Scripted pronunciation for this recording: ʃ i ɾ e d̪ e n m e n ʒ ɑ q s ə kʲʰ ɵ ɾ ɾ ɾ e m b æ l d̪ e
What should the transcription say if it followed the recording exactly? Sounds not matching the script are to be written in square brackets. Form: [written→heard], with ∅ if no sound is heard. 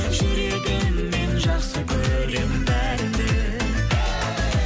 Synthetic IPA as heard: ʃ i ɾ e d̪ e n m e n ʒ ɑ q s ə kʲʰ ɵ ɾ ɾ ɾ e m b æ [l→ɾ] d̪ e